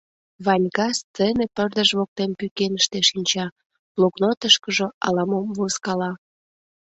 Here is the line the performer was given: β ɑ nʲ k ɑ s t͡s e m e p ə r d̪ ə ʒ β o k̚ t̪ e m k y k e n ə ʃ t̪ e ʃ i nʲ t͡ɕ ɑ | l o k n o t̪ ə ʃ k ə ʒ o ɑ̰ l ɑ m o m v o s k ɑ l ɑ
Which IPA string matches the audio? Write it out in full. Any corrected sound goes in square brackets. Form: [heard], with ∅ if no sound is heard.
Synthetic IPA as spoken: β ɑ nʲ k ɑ s t͡s e [n] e p ə r d̪ ə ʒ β o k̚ t̪ e m [p] y k e n ə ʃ t̪ e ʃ i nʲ t͡ɕ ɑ | l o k n o t̪ ə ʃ k ə ʒ o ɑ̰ l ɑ m o m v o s k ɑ l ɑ